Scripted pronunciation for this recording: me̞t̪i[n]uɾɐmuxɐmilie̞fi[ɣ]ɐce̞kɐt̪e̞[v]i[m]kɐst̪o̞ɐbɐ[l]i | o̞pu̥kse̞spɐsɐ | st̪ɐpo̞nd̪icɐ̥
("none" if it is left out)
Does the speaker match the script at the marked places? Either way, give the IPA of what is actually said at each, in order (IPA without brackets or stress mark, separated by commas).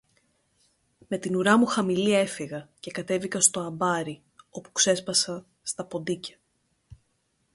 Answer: n, ɣ, v, none, ɾ